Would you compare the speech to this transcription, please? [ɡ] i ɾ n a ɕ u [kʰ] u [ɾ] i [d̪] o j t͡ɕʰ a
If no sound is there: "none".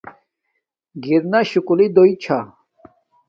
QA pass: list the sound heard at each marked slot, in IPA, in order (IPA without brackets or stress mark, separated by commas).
ɡ, k, l, d̪